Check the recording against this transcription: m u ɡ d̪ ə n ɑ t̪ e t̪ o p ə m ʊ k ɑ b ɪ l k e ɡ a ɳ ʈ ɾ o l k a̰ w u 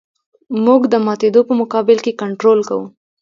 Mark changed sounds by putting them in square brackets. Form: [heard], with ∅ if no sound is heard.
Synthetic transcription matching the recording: m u ɡ d̪ ə [m] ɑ t̪ e [d̪] o p ə m ʊ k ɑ b ɪ l k e [k] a ɳ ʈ ɾ o l k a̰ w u